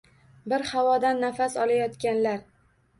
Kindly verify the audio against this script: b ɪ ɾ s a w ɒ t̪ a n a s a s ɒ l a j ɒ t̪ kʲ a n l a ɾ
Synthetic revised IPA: b ɪ ɾ h a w ɒ d̪ a nː a f a s ɒ l a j ɒ t̪ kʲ a n l a ɾ